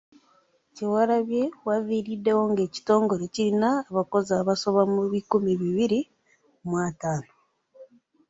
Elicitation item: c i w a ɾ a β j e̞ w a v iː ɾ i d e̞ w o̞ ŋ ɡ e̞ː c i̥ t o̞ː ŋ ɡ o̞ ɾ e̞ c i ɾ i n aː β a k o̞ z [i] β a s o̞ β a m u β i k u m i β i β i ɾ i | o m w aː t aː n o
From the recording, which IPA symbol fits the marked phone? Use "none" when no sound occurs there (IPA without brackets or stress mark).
a